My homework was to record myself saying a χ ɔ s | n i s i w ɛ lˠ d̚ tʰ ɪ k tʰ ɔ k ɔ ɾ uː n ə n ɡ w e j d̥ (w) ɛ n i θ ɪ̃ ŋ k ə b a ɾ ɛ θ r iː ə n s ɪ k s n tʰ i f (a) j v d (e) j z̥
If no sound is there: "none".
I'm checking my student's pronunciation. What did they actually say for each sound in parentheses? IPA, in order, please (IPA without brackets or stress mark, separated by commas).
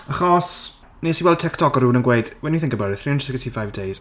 w, a, e